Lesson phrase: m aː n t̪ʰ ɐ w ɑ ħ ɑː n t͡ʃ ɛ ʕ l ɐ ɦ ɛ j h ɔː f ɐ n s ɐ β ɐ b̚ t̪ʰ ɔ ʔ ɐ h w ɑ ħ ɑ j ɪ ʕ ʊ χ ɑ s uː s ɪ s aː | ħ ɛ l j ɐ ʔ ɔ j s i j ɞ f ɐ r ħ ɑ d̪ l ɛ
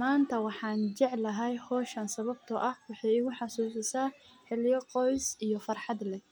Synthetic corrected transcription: m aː n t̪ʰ ɐ w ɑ ħ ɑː n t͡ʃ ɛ ʕ l ɐ ɦ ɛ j h ɔː ʃ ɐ n s ɐ β ɐ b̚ t̪ʰ ɔ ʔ ɐ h w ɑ ħ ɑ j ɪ ɣ ʊ ħ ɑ s uː s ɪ s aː | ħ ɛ l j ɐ q ɔ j s i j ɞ f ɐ r ħ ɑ d̪ l ɛ